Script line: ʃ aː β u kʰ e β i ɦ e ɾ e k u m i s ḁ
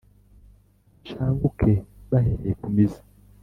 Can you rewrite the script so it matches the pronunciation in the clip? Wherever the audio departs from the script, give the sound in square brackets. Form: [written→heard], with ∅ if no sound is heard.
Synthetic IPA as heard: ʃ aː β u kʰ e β [i→a] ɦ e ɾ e k u m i [s→z] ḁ